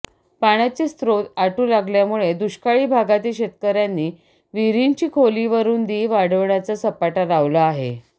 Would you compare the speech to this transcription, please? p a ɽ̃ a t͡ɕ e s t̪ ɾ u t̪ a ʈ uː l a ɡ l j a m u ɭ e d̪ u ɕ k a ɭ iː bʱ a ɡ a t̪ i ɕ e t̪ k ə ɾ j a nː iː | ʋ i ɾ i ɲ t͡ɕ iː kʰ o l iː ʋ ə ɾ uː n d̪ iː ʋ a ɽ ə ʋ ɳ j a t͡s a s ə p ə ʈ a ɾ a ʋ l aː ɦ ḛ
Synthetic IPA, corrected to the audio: p a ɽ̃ a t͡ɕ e s t̪ ɾ o t̪ a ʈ uː l a ɡ l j a m u ɭ e d̪ u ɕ k a ɭ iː bʱ a ɡ a t̪ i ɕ e t̪ k ə ɾ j a nː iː | ʋ i ɾ i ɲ t͡ɕ iː kʰ o l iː ʋ ə ɾ uː n d̪ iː ʋ a ɽ ə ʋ ɳ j a t͡s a s ə p a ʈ a ɾ a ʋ l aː ɦ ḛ